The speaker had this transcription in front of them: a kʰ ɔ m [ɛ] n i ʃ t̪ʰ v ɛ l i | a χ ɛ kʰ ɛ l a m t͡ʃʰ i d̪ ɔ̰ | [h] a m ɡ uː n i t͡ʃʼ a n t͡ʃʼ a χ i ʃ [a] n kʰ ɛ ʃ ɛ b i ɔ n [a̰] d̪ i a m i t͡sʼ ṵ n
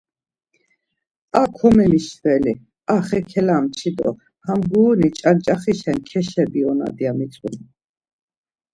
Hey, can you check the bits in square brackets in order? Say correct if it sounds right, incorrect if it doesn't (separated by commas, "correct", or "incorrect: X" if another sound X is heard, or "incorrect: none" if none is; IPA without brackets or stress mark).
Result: correct, correct, incorrect: ɛ, correct